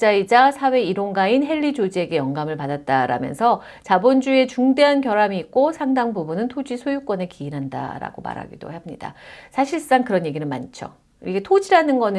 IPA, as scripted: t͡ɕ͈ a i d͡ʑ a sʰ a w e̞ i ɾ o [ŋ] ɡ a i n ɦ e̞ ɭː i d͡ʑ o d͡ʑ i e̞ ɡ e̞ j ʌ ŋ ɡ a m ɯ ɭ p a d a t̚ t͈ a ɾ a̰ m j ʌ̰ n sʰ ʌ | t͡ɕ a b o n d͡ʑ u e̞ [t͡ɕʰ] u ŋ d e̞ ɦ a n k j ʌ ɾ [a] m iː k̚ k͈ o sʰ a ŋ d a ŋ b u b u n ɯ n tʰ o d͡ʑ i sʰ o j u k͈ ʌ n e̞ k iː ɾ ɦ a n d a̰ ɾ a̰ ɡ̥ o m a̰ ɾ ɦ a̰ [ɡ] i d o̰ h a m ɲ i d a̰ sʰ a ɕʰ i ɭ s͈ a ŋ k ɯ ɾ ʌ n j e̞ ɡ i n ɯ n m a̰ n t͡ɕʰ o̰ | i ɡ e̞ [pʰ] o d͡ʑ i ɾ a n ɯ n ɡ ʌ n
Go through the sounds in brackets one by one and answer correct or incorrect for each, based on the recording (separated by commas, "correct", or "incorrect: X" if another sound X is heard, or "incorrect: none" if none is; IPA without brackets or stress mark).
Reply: correct, incorrect: t͡ɕ, correct, correct, incorrect: tʰ